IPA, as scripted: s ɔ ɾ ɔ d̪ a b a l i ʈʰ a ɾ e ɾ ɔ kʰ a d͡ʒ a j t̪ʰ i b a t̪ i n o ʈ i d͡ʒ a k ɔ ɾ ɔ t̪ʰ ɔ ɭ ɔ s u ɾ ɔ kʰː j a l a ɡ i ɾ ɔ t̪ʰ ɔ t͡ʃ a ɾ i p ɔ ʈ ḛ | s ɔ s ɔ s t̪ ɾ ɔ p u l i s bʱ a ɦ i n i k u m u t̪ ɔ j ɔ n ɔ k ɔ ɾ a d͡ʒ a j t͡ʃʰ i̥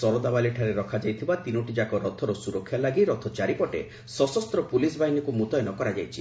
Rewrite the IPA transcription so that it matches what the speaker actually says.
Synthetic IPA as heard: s ɔ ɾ ɔ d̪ a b a l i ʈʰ a ɾ e ɾ ɔ kʰ a d͡ʒ a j t̪ʰ i b a t̪ i n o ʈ i d͡ʒ a k ɔ ɾ ɔ t̪ʰ ɔ ɾ ɔ s u ɾ ɔ kʰː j a l a ɡ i ɾ ɔ t̪ʰ ɔ t͡ʃ a ɾ i p ɔ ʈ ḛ | s ɔ s ɔ s t̪ ɾ ɔ p u l i s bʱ a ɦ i n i k u m u t̪ ɔ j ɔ n ɔ k ɔ ɾ a d͡ʒ a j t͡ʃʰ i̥